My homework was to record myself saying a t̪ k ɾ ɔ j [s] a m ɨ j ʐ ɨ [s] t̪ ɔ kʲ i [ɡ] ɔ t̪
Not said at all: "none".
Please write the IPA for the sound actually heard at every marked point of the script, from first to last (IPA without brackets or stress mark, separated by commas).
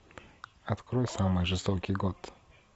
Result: s, s, ɡ